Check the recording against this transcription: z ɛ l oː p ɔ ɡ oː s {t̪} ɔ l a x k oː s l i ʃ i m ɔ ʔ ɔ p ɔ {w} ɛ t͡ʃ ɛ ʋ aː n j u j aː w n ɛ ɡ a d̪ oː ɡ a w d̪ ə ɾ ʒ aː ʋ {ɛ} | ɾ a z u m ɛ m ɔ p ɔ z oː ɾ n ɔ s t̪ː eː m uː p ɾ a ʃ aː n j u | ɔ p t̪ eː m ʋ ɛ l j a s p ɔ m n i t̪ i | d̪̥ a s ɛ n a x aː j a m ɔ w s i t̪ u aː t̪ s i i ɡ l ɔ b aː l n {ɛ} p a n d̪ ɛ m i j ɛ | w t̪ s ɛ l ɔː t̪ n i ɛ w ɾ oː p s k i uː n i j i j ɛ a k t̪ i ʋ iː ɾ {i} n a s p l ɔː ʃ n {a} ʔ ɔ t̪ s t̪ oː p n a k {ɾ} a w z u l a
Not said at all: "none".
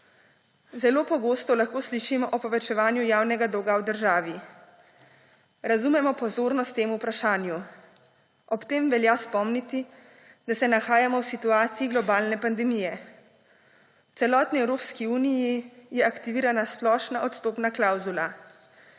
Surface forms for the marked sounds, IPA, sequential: t̪, ʋ, i, ɛ, a, a, l

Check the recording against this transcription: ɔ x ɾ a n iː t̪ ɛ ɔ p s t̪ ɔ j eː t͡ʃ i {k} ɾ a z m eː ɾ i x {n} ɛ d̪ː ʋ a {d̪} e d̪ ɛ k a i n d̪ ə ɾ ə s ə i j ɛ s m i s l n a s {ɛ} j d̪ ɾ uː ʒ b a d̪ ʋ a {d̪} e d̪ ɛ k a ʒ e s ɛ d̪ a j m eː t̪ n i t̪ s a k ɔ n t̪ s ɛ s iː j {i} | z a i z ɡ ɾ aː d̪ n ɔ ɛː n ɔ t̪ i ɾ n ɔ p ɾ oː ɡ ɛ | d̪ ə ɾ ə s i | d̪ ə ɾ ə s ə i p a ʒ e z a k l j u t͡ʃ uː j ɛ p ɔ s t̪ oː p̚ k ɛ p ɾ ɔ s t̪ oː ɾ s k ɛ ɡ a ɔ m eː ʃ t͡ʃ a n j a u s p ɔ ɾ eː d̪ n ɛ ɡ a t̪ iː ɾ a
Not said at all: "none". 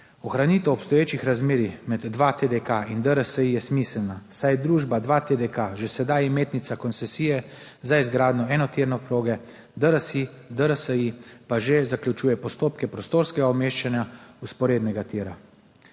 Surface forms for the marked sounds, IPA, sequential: x, m, t̪, a, t̪, ɛ

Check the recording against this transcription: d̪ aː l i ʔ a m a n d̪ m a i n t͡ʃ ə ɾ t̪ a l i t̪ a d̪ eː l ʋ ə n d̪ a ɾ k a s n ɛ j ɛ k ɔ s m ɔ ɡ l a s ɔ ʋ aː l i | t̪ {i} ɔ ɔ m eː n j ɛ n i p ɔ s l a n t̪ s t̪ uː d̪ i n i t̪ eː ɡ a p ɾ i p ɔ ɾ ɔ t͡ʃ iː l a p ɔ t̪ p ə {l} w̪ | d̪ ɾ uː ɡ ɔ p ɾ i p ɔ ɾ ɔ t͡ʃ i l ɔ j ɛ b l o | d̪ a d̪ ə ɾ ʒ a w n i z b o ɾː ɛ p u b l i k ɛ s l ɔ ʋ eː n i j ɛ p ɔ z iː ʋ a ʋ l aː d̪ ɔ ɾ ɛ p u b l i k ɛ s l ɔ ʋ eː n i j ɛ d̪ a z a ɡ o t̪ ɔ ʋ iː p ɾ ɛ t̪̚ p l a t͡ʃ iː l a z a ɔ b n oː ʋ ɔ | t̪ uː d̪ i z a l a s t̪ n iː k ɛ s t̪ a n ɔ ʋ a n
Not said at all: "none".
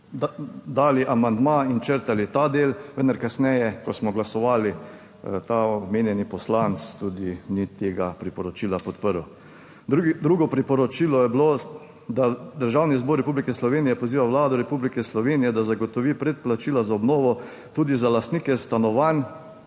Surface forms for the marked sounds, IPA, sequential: a, ɾ

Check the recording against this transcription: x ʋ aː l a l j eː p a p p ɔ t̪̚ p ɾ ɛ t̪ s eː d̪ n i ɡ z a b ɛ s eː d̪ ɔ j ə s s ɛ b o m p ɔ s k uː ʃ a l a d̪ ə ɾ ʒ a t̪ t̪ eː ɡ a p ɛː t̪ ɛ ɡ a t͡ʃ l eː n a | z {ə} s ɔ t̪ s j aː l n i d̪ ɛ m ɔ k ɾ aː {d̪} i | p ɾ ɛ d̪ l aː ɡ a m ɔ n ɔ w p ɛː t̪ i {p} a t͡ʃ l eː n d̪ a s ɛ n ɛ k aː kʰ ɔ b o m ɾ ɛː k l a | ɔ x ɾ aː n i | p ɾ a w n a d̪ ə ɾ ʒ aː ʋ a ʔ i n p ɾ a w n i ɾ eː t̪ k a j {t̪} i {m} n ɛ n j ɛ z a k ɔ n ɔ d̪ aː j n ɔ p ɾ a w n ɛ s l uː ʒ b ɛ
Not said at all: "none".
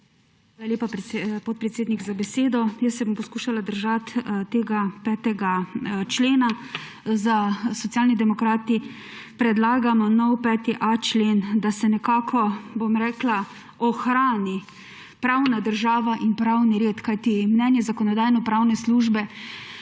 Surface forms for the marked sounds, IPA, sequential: a, t̪, ʔ, t̪, m

